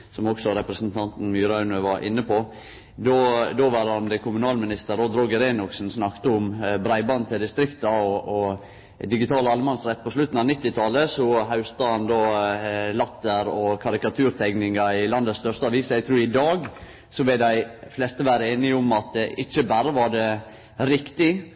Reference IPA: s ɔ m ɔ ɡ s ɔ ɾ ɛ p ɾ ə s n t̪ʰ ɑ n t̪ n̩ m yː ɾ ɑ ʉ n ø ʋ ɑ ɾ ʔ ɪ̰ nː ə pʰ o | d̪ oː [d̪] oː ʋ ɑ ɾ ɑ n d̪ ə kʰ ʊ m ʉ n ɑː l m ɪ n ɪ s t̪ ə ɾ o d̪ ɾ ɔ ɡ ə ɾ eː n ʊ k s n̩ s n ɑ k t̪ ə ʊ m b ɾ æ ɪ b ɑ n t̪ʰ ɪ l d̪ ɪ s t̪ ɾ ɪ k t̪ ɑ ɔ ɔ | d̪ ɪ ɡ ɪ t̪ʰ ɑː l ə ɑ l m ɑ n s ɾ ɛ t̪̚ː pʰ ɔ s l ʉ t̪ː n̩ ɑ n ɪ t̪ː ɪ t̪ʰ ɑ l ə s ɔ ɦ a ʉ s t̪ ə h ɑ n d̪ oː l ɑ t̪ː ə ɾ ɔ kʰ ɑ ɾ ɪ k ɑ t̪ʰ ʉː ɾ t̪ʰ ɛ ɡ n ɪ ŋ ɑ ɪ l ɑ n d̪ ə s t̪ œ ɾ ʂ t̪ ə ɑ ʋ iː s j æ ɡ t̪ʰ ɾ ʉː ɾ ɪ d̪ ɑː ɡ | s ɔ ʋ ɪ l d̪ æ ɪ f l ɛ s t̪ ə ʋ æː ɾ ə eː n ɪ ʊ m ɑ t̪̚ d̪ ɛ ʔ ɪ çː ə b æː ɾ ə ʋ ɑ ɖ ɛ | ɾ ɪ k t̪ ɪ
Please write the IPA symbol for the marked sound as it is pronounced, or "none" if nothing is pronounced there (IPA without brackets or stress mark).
d̪